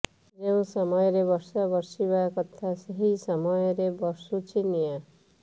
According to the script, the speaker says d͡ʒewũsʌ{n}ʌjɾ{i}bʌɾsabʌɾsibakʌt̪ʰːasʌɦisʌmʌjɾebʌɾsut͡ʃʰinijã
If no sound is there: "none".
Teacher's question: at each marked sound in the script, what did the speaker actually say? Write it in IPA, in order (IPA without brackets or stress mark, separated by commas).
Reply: m, e